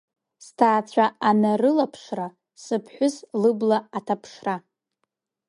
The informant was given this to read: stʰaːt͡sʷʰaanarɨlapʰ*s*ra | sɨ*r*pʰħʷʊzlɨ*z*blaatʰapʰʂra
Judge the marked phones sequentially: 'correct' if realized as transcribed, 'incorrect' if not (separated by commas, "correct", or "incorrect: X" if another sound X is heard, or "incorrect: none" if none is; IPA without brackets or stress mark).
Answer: incorrect: ʂ, incorrect: none, incorrect: none